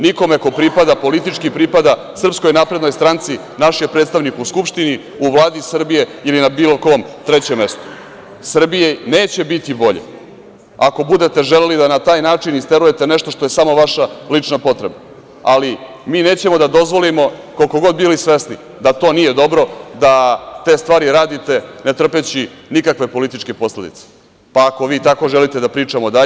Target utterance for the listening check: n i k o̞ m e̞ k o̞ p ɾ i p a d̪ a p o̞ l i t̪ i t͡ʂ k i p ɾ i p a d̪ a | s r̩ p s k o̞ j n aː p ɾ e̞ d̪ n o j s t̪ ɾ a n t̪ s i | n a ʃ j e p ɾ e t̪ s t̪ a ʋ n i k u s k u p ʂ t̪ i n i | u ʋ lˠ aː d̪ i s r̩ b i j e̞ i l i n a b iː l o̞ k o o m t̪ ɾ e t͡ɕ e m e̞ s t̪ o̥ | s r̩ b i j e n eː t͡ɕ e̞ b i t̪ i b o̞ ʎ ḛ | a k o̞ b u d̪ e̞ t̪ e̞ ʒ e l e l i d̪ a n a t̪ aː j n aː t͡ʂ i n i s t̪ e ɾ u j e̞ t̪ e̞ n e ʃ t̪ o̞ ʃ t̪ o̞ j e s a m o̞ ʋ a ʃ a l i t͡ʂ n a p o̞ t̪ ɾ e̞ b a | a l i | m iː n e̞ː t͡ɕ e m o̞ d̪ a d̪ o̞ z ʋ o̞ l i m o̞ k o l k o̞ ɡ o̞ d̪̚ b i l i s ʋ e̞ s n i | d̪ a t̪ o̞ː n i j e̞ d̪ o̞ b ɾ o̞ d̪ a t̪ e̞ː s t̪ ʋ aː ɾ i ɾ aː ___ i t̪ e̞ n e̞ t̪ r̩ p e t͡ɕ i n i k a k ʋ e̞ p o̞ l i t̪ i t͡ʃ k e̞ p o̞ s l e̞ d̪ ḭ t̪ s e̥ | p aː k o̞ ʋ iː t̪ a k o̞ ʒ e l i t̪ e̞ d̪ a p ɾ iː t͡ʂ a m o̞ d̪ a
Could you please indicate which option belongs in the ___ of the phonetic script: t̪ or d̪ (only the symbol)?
d̪